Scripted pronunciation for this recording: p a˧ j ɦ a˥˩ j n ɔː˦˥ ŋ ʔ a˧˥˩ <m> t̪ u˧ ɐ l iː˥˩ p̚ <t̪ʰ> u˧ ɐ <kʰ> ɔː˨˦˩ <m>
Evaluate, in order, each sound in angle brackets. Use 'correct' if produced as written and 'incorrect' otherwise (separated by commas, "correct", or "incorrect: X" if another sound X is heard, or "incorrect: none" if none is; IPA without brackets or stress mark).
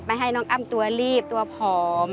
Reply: correct, incorrect: t̪, incorrect: pʰ, correct